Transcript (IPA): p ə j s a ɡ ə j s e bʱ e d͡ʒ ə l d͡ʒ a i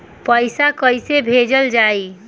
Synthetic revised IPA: p ə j s a k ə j s e bʱ e d͡ʒ ə l d͡ʒ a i